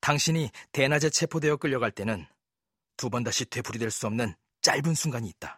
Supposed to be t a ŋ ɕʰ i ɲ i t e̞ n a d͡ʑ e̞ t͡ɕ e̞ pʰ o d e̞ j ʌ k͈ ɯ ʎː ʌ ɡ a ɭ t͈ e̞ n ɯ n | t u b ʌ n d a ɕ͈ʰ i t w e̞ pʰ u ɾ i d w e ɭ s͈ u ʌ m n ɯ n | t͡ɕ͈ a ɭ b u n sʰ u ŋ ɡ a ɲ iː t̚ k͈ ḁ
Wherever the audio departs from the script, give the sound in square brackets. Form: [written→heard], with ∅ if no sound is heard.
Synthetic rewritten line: t a ŋ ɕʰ i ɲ i t e̞ n a d͡ʑ e̞ [t͡ɕ→t͡ɕʰ] e̞ pʰ o d e̞ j ʌ k͈ ɯ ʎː ʌ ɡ a ɭ t͈ e̞ n ɯ n | t u b ʌ n d a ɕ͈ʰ i t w e̞ pʰ u ɾ i d w e ɭ s͈ u ʌ m n ɯ n | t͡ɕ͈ a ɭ b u n sʰ u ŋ ɡ a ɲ iː t̚ [k͈→t͈] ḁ